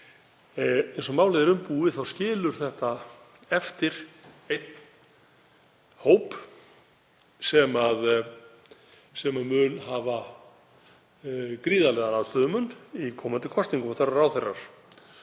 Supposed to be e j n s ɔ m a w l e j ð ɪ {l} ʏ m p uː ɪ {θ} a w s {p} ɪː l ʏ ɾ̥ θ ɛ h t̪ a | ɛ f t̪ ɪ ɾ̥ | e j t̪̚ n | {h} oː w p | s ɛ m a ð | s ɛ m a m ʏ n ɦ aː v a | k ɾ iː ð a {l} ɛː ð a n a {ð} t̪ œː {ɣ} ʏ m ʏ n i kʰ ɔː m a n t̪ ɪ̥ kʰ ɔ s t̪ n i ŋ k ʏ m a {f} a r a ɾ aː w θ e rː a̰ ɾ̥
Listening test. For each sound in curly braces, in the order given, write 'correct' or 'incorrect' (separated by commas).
incorrect, correct, incorrect, correct, correct, correct, incorrect, incorrect